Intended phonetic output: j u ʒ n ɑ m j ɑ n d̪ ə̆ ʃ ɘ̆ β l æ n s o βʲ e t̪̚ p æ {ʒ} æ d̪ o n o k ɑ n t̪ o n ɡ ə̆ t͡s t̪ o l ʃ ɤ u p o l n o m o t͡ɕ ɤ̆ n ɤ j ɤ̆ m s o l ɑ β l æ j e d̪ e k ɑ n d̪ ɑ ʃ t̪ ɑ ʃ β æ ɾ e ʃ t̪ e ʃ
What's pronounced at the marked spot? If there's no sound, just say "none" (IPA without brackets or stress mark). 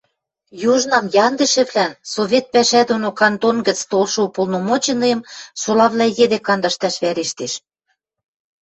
ʃ